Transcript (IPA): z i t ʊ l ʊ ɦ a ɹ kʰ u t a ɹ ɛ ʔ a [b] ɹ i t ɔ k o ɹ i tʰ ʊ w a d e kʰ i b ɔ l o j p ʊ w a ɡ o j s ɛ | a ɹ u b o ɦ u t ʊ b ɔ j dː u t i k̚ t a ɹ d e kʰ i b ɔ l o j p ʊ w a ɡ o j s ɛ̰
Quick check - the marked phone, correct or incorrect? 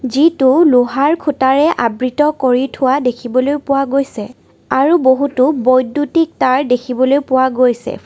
correct